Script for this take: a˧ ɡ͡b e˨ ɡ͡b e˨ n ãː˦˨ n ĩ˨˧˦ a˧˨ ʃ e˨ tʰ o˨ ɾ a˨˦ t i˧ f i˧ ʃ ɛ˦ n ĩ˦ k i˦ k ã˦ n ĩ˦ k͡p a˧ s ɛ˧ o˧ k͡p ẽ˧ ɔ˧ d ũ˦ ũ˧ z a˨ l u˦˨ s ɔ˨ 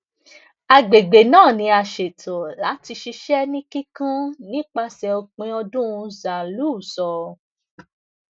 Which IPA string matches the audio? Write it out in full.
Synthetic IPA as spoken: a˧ ɡ͡b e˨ ɡ͡b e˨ n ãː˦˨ n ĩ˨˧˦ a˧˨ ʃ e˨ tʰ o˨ l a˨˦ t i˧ ʃ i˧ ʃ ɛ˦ n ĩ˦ k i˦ k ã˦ n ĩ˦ k͡p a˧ s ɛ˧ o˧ k͡p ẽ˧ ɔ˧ d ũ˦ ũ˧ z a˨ l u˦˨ s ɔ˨

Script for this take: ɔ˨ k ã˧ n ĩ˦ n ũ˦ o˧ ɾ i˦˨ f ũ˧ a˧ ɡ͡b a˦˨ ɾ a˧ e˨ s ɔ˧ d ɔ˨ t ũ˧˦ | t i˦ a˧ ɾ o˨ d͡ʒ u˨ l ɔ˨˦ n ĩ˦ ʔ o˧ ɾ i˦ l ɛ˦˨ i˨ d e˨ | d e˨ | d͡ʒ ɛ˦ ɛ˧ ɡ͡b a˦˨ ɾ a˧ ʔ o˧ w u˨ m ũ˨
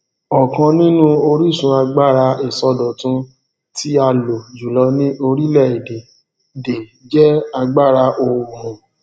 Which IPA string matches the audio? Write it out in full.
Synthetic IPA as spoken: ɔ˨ k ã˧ n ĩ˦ n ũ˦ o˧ ɾ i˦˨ s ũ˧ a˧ ɡ͡b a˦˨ ɾ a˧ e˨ s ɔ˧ d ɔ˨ t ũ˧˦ | t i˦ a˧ l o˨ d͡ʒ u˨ l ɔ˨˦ n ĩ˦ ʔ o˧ ɾ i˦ l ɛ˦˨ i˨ d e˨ | d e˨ | d͡ʒ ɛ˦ a˧ ɡ͡b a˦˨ ɾ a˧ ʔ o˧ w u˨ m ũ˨

